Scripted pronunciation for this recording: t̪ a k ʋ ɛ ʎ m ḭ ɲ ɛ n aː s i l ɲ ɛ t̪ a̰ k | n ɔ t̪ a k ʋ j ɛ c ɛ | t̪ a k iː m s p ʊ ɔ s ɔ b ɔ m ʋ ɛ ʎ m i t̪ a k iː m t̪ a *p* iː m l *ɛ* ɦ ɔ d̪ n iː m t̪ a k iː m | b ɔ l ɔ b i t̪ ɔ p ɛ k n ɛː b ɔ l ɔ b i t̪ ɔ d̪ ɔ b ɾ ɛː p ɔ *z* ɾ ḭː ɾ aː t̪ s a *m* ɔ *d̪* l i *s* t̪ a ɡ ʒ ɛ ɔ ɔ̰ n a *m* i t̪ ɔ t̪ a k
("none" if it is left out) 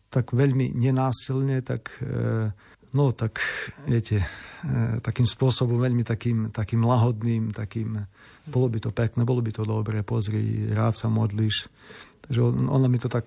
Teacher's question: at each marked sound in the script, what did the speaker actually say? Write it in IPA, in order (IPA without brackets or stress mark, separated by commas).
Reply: k, a, z, m, d̪, ʃ, m